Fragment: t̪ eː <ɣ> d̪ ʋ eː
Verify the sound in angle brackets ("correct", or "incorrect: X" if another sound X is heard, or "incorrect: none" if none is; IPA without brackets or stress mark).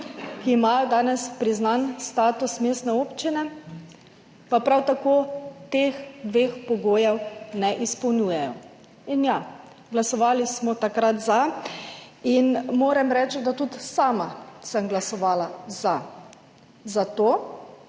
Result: incorrect: x